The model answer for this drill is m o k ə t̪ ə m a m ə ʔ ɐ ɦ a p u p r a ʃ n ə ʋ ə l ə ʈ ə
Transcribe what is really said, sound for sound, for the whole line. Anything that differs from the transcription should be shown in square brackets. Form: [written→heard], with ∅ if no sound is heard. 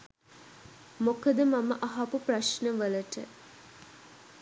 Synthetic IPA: m o k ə [t̪→d̪] ə m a m ə ʔ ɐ ɦ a p u p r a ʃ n ə ʋ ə l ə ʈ ə